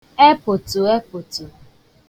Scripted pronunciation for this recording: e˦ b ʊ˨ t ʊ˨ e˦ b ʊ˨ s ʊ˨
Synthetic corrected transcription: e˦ p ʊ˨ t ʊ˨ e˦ p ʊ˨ t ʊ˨